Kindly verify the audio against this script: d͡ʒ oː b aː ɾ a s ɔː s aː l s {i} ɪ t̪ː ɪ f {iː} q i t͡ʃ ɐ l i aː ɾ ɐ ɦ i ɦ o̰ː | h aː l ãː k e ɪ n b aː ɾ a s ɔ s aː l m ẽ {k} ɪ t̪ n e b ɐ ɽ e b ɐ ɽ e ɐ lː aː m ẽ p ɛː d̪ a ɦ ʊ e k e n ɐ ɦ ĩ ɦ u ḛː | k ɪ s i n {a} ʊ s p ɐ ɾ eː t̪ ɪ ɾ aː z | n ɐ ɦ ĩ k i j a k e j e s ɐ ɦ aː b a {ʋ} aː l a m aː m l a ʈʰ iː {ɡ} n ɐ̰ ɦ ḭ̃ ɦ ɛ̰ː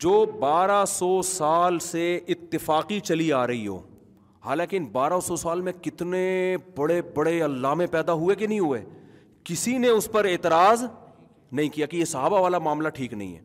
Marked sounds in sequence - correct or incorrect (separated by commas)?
incorrect, incorrect, correct, incorrect, correct, incorrect